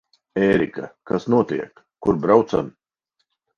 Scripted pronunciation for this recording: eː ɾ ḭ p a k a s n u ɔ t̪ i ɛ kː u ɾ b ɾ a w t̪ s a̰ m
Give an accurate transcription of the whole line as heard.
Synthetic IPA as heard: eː ɾ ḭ k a k a s n u ɔ t̪ i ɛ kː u ɾ b ɾ a w t̪ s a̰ m